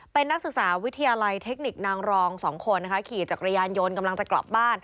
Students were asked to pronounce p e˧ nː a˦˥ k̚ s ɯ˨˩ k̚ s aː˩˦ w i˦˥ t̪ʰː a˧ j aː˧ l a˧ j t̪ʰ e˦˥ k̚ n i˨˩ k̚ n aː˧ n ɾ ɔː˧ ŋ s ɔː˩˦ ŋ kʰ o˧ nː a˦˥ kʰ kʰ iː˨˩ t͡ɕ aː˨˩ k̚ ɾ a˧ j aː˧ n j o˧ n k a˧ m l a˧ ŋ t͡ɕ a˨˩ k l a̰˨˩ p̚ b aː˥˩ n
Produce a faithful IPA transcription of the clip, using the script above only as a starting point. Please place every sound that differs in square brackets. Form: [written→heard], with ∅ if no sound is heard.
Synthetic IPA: p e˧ nː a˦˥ k̚ s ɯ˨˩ k̚ s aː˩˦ w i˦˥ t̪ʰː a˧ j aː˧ l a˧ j t̪ʰ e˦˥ k̚ n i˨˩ k̚ n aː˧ [n→ŋ] ɾ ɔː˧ ŋ s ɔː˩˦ ŋ kʰ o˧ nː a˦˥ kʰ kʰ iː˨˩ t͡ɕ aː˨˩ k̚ ɾ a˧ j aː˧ n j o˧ n k a˧ m l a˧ ŋ t͡ɕ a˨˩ k l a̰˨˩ p̚ b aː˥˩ n